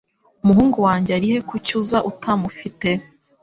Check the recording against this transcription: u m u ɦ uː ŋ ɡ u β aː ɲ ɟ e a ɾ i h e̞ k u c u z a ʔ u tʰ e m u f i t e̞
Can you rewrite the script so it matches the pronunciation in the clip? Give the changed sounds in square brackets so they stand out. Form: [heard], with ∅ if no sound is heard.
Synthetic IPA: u m u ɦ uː ŋ ɡ u [w] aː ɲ ɟ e a ɾ i h e̞ k u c u z a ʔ u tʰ [a] m u f i t e̞